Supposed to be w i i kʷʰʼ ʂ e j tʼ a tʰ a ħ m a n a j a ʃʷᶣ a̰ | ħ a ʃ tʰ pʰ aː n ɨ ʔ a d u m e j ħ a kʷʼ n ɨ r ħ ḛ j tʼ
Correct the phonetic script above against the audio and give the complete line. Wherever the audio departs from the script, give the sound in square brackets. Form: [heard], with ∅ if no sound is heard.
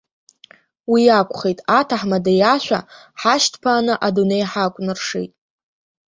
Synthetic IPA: w i [a] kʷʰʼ [χ] e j tʼ a tʰ a ħ m a [d] a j a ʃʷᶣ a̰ | ħ a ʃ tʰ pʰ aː n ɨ ʔ a d u [n] e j ħ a kʷʼ n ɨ r [ʂ] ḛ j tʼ